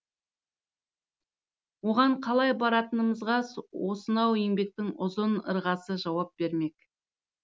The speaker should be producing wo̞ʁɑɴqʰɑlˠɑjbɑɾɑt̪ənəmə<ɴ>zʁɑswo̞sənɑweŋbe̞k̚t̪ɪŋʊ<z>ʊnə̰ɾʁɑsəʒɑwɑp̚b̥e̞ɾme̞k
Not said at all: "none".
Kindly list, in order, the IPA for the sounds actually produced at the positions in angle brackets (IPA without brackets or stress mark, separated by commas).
none, z